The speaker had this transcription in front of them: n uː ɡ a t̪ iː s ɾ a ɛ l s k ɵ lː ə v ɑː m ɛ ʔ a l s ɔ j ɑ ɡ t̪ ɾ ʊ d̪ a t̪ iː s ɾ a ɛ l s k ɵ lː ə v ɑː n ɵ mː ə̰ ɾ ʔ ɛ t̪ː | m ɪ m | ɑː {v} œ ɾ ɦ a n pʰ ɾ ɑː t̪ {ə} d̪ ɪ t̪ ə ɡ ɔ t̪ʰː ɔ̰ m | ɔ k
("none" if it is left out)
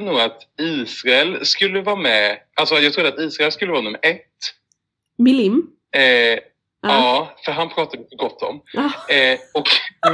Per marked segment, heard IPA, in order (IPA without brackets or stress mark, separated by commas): f, a